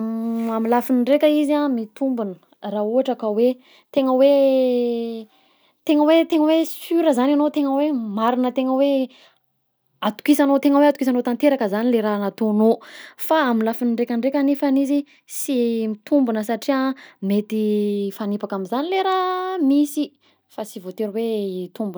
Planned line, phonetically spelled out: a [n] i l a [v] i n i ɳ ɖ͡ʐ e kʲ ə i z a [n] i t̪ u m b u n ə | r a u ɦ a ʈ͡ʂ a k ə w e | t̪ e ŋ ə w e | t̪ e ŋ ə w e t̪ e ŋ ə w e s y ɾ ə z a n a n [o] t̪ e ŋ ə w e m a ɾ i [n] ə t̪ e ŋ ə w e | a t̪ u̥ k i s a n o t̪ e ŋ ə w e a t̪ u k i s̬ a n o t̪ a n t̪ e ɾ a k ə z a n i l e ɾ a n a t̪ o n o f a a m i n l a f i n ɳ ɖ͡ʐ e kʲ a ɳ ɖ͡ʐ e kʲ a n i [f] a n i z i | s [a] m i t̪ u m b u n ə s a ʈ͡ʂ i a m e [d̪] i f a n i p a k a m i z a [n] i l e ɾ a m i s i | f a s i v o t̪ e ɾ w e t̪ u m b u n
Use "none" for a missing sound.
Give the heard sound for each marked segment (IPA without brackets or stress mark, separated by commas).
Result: m, f, m, o, n, f, i, t̪, n